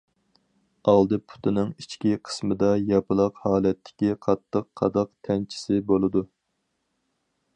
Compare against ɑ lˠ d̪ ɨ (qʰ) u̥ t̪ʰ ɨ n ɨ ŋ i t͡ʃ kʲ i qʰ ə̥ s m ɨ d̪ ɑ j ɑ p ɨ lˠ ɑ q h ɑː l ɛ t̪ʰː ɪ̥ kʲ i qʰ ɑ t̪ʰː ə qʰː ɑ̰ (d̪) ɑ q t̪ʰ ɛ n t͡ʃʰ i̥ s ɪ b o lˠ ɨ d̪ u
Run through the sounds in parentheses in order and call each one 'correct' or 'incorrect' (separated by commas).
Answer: incorrect, correct